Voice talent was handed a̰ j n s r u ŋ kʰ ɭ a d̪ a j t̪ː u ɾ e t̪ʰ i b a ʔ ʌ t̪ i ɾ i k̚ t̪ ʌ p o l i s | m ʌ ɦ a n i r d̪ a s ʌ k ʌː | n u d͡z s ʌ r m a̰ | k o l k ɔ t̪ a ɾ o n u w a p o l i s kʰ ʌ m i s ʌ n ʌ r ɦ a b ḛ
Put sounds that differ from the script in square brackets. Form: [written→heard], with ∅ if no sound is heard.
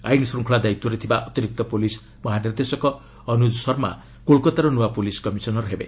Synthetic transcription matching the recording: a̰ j n s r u ŋ kʰ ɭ a d̪ a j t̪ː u ɾ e t̪ʰ i b a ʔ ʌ t̪ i ɾ i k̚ t̪ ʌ p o l i s | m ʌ ɦ a n i r d̪ [a→e] s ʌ k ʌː | n u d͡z s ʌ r m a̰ | k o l k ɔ t̪ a ɾ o n u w a p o l i s [kʰ→k] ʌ m i s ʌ n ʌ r ɦ [a→e] b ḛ